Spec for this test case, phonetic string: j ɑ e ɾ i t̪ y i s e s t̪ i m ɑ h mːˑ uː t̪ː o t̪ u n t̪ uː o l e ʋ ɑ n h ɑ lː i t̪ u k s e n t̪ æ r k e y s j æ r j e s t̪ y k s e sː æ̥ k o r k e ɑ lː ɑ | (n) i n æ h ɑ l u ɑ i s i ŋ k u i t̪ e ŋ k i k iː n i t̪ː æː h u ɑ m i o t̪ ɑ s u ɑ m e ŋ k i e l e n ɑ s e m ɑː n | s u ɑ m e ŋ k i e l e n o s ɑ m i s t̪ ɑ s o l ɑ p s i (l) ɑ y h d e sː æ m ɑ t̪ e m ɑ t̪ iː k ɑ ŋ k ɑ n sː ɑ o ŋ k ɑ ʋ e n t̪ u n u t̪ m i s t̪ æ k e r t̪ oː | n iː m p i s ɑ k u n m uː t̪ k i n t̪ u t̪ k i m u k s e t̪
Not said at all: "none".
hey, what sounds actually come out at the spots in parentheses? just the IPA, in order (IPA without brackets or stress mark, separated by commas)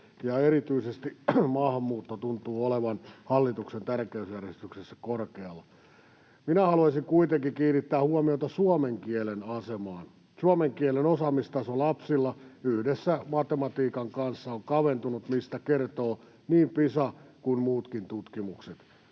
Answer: m, lː